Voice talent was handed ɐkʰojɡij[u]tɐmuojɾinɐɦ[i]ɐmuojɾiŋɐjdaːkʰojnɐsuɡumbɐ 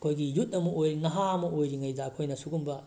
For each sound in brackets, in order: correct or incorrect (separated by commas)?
correct, incorrect